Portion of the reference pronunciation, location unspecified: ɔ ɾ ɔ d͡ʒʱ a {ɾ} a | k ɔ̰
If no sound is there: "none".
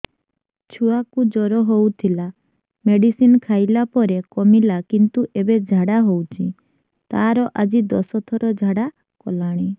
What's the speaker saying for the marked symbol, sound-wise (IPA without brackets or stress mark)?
ɽ